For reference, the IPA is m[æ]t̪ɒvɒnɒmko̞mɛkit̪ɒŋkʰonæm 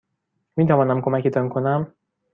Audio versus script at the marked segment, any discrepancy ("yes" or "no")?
yes